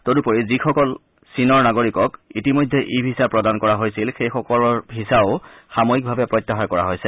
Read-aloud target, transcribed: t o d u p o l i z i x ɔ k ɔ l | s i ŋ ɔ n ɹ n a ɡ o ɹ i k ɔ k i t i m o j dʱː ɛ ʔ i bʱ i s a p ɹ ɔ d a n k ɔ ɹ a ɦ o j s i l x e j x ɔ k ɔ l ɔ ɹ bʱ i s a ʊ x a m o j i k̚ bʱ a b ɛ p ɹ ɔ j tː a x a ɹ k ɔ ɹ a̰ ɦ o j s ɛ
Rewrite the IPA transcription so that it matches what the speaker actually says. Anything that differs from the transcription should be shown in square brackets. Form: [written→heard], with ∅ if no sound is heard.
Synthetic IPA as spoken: t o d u p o [l→ɹ] i z i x ɔ k ɔ l | s i [ŋ→n] ɔ [n→∅] ɹ n a ɡ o ɹ i k ɔ k i t i m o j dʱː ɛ ʔ i bʱ i s a p ɹ ɔ d a n k ɔ ɹ a ɦ o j s i l x e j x ɔ k ɔ l ɔ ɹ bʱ i s a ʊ x a m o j i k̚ bʱ a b ɛ p ɹ ɔ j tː a x a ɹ k ɔ ɹ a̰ ɦ o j s ɛ